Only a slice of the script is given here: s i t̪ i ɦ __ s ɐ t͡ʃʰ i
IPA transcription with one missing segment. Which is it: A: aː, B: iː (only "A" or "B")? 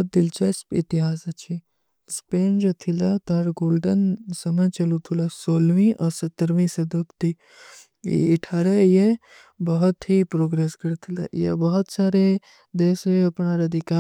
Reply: A